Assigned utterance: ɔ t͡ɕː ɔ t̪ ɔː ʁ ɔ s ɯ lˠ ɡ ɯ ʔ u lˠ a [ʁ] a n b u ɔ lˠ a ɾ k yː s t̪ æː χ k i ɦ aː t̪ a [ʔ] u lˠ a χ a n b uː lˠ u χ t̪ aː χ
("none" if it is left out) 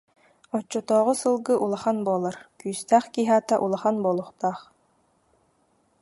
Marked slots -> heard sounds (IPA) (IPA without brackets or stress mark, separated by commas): χ, ʔ